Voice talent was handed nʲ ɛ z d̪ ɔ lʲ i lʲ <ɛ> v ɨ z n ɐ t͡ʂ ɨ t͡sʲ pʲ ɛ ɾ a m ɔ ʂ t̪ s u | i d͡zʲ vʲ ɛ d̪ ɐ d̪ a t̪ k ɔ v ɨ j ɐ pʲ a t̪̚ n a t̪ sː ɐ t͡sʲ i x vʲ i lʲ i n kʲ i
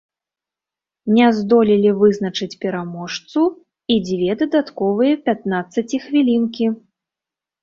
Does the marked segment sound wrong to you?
yes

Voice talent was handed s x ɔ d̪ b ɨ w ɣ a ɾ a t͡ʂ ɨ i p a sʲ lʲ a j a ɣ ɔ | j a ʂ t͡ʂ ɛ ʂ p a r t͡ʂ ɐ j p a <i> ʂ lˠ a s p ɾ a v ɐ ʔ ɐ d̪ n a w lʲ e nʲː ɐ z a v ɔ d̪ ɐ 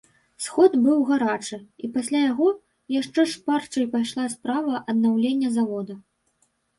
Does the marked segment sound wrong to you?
yes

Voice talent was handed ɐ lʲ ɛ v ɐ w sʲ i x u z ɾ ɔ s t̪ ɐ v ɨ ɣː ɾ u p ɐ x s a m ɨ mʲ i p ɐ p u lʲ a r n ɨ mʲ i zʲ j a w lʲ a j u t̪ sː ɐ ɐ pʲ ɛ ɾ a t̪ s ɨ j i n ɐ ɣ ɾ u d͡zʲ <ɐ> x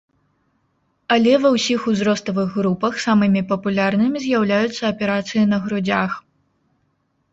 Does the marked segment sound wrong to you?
yes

